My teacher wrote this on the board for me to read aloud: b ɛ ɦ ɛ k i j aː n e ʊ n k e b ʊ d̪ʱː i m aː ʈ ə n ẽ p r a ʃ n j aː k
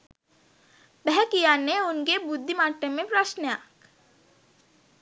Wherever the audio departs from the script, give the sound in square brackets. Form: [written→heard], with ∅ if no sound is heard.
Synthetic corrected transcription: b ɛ ɦ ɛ k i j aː n e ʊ n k e b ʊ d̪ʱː i m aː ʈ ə [n→m] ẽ p [r→ɾ] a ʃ n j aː k

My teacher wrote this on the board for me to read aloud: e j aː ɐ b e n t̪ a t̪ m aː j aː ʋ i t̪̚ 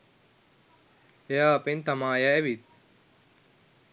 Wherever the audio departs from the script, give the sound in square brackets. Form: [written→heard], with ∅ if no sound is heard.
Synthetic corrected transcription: e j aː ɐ [b→p] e n t̪ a [t̪→∅] m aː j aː ʋ i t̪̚

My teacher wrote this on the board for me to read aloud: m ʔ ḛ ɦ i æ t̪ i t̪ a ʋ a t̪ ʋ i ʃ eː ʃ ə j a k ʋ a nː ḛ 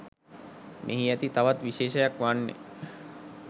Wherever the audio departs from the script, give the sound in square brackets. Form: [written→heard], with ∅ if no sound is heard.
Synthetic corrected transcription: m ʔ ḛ ɦ i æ t̪ i t̪ a ʋ a t̪ ʋ i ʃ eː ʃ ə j a k ʋ a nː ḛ

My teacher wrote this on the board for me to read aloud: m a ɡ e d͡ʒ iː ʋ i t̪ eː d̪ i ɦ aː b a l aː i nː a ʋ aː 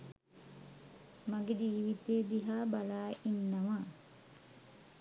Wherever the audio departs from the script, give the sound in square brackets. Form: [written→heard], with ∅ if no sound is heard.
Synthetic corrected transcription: m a ɡ e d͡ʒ iː ʋ i t̪ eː d̪ i ɦ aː b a l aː i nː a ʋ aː

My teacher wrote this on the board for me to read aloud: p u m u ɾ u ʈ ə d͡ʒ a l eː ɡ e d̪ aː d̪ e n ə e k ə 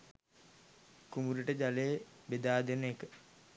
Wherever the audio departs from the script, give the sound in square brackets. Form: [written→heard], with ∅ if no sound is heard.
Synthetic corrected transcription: [p→k] u m u ɾ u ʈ ə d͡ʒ a l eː [ɡ→b] e d̪ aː d̪ e n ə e k ə

